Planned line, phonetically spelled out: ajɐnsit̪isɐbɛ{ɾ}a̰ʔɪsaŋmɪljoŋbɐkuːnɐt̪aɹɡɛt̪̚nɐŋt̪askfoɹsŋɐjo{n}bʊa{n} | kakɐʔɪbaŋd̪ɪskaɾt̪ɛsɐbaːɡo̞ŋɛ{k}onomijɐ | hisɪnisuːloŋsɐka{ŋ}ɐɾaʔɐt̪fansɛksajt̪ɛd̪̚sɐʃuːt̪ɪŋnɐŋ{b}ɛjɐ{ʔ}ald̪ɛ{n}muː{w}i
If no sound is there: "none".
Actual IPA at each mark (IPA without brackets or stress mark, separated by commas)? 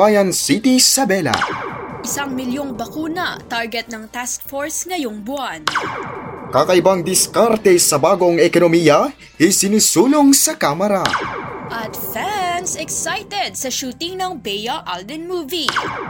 l, ŋ, n, k, m, b, ʔ, n, v